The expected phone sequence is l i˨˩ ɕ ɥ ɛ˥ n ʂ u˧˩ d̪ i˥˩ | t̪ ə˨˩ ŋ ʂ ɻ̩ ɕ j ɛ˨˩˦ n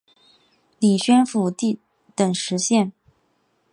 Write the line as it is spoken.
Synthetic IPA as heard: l i˨˩ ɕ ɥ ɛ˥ n f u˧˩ t̪ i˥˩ | t̪ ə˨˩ ŋ ʂ ɻ̩ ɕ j ɛ˥˩ n